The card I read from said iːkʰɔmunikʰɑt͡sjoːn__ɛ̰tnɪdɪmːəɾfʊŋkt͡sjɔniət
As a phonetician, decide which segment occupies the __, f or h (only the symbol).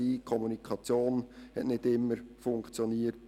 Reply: h